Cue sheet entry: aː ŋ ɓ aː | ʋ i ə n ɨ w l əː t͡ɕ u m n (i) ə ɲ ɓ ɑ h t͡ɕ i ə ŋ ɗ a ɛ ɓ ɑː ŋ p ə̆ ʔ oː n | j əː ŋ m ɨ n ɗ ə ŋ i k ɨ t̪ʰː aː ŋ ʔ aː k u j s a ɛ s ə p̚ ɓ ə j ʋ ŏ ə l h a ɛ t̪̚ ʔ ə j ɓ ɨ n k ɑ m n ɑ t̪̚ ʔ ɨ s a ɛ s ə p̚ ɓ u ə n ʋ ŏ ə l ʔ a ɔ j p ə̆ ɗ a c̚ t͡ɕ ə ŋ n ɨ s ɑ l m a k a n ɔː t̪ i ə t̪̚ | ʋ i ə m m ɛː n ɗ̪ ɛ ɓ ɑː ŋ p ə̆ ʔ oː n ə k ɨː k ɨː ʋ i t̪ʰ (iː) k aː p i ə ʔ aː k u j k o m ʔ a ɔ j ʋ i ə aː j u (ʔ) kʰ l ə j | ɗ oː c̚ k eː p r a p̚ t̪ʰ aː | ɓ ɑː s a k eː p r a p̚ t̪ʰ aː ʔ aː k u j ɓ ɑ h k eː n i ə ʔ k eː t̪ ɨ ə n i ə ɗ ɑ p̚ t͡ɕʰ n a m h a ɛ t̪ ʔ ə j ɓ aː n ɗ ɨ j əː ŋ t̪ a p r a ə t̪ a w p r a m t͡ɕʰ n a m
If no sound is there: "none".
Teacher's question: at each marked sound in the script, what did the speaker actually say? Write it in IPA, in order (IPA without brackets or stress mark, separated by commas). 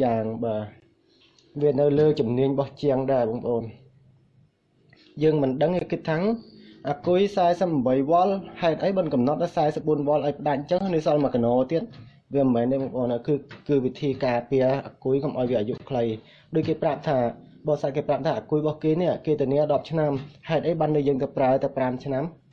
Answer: i, iː, ʔ